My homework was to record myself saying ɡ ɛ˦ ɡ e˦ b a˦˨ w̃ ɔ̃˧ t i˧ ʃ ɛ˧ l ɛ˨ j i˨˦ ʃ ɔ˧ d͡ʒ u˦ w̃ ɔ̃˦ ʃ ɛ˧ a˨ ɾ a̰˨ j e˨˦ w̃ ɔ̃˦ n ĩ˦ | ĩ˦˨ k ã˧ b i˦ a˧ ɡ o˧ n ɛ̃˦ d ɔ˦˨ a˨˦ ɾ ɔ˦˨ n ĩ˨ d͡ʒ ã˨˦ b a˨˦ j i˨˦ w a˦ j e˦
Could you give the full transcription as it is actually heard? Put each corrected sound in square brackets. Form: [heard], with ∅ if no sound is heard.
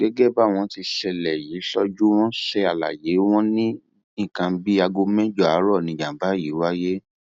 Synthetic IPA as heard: ɡ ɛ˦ ɡ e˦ b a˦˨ w̃ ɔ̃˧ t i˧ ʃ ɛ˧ l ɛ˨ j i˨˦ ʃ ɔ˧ d͡ʒ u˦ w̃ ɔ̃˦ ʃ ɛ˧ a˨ [l] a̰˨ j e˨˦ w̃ ɔ̃˦ n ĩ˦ | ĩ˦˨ k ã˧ b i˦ a˧ ɡ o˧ [m] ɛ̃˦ [d͡ʒ] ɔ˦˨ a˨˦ ɾ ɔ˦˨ n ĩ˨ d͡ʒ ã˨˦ b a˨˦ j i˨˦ w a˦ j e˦